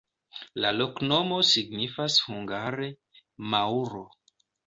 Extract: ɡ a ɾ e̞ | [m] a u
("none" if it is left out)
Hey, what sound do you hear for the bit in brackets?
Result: m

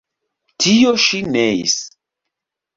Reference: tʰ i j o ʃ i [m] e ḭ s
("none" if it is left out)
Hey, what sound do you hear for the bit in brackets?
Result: n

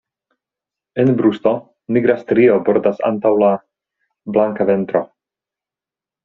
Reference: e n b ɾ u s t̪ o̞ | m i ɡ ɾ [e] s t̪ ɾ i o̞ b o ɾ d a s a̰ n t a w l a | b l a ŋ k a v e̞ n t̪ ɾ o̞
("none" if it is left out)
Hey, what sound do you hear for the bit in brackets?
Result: a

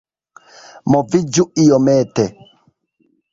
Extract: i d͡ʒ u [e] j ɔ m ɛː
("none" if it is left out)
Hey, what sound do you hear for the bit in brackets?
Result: i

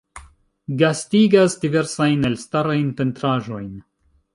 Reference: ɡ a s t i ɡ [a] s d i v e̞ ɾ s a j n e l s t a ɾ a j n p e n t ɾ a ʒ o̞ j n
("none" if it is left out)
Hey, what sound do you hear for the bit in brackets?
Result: a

